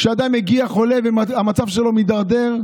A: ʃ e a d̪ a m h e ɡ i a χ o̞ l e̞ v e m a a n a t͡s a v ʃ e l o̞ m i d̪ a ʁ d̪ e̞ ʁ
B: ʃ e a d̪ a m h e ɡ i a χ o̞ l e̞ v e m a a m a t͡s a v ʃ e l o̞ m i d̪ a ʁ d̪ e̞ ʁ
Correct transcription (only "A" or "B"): B